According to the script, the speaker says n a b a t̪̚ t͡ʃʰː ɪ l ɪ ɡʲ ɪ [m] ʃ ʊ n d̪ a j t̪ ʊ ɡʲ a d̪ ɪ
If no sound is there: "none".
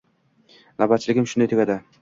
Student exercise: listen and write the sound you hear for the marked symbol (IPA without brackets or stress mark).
m